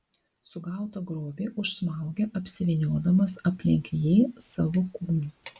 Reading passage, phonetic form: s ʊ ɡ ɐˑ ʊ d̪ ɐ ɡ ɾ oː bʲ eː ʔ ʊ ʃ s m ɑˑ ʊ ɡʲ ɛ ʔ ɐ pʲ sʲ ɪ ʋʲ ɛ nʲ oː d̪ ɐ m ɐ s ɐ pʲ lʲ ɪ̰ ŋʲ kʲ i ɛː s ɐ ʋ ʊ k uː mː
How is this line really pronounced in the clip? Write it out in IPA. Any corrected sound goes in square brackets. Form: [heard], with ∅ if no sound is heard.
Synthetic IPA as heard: s ʊ ɡ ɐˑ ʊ [t̪] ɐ ɡ ɾ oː bʲ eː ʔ ʊ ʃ s m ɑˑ ʊ ɡʲ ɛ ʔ ɐ pʲ sʲ ɪ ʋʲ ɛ nʲ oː d̪ ɐ m ɐ s ɐ pʲ lʲ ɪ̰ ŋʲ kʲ [j] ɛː s ɐ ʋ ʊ k uː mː